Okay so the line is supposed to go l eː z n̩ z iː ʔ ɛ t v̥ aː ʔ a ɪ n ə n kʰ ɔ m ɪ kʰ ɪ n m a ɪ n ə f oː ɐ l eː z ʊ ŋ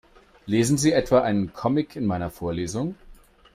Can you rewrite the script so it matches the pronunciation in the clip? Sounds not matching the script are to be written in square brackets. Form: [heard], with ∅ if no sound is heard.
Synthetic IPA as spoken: l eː z n̩ z iː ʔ ɛ t v̥ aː ʔ a ɪ n ə n kʰ ɔ m ɪ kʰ ɪ n m a ɪ n [ɐ] f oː ɐ l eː z ʊ ŋ